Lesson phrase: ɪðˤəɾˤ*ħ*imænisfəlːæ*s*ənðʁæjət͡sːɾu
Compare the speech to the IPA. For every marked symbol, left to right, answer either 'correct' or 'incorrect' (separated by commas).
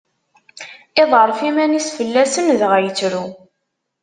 incorrect, correct